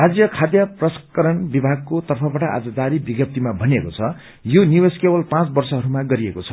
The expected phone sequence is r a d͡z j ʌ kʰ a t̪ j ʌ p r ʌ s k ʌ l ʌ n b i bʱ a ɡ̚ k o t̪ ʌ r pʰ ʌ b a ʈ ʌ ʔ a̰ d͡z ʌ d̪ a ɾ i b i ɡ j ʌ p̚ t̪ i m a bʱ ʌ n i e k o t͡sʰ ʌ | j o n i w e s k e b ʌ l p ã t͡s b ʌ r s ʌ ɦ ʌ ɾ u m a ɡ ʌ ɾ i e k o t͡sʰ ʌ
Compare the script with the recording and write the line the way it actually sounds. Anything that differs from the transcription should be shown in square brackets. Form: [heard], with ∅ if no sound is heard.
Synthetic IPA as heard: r a d͡z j ʌ kʰ a [d̪] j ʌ p r ʌ s k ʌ [ɾ] ʌ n b i bʱ a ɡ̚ k o t̪ ʌ r pʰ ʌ b a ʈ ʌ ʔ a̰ d͡z ʌ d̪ a ɾ i b i ɡ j ʌ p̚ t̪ i m a bʱ ʌ n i e k o t͡sʰ ʌ | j o n i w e s k e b ʌ l p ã t͡s b ʌ r s ʌ ɦ ʌ ɾ u m a ɡ ʌ ɾ i e k o t͡sʰ ʌ